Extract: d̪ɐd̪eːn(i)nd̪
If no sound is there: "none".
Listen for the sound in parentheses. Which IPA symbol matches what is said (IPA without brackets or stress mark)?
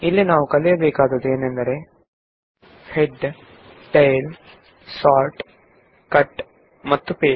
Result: e